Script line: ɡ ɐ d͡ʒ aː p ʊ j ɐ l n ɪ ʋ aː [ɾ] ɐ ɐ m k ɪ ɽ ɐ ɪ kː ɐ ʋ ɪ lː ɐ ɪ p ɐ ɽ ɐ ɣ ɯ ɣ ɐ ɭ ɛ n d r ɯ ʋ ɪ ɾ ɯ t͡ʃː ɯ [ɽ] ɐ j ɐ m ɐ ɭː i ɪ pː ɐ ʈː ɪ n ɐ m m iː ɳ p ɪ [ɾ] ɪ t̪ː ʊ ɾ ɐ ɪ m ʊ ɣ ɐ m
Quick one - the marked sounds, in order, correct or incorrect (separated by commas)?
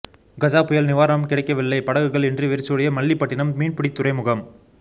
correct, correct, incorrect